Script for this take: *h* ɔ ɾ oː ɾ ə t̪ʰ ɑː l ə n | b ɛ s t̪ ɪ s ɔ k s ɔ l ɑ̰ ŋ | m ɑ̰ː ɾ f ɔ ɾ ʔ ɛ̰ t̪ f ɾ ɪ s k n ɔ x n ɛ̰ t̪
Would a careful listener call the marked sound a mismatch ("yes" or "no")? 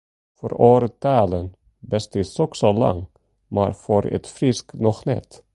yes